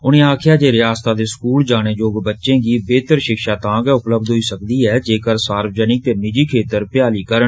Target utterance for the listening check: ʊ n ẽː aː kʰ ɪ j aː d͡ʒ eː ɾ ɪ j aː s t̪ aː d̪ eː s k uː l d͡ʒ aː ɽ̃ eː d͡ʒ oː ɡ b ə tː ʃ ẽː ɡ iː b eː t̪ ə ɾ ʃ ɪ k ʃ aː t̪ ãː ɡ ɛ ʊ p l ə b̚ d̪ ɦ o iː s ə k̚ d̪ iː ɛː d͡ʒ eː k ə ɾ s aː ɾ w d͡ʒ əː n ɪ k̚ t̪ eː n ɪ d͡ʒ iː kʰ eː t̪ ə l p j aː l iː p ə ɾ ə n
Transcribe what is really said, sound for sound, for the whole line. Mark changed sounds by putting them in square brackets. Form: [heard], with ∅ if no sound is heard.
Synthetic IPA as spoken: ʊ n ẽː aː kʰ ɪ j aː d͡ʒ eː ɾ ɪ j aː s t̪ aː d̪ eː s k uː l d͡ʒ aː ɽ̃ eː d͡ʒ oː ɡ b ə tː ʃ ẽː ɡ iː b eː t̪ ə ɾ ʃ ɪ k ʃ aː t̪ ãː ɡ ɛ ʊ p l ə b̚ d̪ ɦ o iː s ə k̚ d̪ iː ɛː d͡ʒ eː k ə ɾ s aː ɾ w d͡ʒ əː n ɪ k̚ t̪ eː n ɪ d͡ʒ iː kʰ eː t̪ ə [ɾ] p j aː l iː [k] ə ɾ ə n

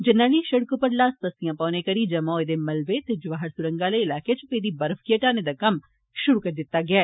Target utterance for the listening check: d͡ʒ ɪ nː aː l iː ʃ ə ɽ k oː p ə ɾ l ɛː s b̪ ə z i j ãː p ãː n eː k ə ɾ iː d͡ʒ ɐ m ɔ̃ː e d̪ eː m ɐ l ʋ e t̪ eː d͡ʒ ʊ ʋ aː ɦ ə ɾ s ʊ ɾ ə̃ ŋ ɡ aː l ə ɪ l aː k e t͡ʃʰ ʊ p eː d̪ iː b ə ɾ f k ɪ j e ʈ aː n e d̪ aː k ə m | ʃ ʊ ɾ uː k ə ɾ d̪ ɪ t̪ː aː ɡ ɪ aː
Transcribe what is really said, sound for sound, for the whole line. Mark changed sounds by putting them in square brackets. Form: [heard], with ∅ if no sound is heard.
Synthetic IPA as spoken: d͡ʒ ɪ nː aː l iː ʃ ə ɽ k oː p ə ɾ l [aː] s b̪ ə [s] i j ãː p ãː n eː k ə ɾ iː d͡ʒ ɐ m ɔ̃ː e d̪ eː m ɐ l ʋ e t̪ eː d͡ʒ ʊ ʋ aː ɦ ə ɾ s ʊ ɾ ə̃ ŋ ɡ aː l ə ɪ l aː k e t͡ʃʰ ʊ p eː d̪ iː b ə ɾ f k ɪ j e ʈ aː n e d̪ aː k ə m | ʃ ʊ ɾ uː k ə ɾ d̪ ɪ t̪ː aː ɡ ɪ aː

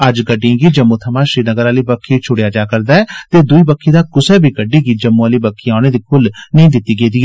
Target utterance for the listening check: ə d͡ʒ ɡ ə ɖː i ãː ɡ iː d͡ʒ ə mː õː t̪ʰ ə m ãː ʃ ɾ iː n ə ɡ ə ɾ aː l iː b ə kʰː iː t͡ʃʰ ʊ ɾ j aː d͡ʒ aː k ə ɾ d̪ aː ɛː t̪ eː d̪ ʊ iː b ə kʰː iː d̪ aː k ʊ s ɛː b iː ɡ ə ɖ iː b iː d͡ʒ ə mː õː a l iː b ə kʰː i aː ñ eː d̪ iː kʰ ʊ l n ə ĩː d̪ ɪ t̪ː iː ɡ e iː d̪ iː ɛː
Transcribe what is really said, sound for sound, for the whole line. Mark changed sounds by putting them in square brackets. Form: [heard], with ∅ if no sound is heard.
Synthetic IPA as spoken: ə d͡ʒ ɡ ə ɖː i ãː ɡ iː d͡ʒ ə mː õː t̪ʰ ə m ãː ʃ ɾ iː n ə ɡ ə ɾ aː l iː b ə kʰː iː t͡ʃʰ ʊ [ɽ] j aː d͡ʒ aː k ə ɾ d̪ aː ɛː t̪ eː d̪ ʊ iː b ə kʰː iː d̪ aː k ʊ s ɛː b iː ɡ ə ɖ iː [ɡ] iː d͡ʒ ə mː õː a l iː b ə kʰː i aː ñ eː d̪ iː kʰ ʊ l n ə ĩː d̪ ɪ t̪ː iː ɡ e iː d̪ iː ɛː

